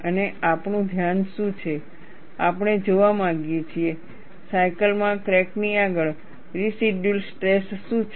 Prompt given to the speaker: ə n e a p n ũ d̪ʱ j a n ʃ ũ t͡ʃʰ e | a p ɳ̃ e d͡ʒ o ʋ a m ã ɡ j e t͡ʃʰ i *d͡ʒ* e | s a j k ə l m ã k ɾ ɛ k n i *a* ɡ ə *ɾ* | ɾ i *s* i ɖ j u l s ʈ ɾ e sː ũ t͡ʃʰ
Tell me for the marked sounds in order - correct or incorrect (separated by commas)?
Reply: incorrect, correct, incorrect, correct